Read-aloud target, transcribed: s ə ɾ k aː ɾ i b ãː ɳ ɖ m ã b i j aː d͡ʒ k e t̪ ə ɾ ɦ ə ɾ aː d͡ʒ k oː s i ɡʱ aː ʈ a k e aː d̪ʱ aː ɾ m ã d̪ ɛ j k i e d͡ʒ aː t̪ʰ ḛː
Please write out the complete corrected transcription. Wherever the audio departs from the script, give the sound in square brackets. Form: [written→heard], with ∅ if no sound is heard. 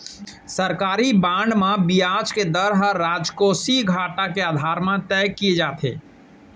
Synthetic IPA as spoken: s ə ɾ k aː ɾ i b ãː ɳ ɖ m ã b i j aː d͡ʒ k e [t̪→d̪] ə ɾ ɦ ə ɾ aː d͡ʒ k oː s i ɡʱ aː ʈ a k e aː d̪ʱ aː ɾ m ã [d̪→t̪] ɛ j k i e d͡ʒ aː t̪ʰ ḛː